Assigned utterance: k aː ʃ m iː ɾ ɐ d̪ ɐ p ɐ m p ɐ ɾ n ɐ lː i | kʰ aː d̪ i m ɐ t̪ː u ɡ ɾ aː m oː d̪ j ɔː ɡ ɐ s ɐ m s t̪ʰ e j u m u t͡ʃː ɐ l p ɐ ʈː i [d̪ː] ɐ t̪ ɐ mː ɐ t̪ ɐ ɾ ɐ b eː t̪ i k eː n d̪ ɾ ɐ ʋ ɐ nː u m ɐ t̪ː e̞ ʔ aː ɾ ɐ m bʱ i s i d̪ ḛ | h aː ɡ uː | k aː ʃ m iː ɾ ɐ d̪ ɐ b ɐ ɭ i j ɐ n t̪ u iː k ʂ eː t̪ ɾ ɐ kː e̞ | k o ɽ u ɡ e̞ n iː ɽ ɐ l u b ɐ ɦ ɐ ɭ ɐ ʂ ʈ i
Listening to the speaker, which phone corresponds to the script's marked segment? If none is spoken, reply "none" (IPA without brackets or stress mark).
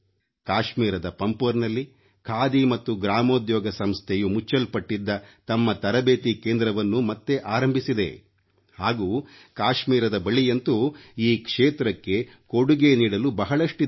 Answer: d̪ː